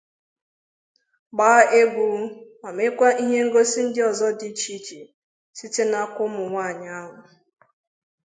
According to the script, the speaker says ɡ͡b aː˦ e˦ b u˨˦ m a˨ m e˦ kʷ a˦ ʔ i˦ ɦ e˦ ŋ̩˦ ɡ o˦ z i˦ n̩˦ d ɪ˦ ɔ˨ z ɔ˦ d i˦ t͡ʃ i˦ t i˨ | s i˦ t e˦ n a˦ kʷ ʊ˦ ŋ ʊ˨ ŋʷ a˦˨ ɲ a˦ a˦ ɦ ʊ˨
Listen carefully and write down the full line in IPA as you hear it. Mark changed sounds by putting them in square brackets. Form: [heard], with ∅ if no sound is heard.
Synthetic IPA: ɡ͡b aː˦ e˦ b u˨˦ m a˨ m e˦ kʷ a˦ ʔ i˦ ɦ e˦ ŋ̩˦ ɡ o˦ [s] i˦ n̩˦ d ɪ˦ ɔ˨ z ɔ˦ d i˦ t͡ʃ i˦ [t͡ʃ] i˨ | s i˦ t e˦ n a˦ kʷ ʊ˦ [m] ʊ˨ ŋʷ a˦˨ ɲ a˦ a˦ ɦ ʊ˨